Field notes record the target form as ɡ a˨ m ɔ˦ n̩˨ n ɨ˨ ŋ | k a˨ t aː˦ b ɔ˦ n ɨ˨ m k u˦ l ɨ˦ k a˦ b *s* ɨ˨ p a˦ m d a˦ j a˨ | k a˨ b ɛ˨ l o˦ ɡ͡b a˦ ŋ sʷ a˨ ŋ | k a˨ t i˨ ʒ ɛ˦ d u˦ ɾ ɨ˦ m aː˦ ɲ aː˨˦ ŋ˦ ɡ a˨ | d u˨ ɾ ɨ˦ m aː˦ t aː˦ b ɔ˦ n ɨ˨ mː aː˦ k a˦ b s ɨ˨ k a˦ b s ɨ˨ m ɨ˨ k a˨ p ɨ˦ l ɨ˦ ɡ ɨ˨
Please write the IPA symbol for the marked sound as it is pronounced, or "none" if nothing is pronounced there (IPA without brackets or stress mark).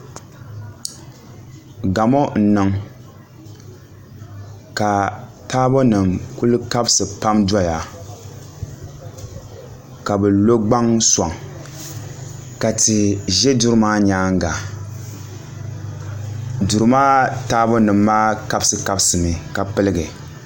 s